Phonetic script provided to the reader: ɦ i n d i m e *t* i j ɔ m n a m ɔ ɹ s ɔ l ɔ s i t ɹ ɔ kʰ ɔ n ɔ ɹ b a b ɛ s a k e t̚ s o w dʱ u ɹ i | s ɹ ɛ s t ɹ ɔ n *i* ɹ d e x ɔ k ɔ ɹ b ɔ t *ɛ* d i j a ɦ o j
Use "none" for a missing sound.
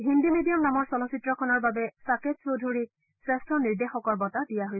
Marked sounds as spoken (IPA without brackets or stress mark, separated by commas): d, i, a